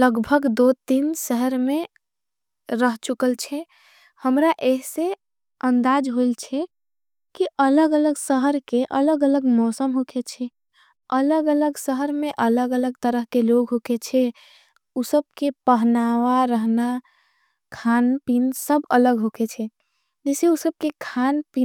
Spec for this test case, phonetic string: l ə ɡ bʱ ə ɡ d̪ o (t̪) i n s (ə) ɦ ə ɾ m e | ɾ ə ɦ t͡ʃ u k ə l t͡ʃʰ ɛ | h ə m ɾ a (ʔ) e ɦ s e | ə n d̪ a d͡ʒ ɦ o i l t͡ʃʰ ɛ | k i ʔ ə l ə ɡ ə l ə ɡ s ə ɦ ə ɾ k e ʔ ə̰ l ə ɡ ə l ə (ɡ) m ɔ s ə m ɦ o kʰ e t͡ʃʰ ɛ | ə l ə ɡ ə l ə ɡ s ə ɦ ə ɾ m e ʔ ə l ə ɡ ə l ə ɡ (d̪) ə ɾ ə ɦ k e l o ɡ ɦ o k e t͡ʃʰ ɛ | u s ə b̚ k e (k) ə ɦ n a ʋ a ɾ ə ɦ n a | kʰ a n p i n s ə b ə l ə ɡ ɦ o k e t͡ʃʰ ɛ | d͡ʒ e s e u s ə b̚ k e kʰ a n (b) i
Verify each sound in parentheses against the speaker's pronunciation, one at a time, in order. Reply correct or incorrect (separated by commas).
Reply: correct, correct, correct, correct, incorrect, incorrect, incorrect